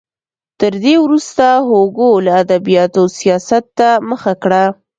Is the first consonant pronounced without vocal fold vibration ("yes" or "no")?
yes